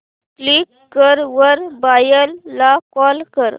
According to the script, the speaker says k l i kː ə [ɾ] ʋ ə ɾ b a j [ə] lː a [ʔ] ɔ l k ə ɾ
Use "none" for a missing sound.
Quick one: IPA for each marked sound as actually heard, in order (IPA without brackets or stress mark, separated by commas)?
ɾ, ə, k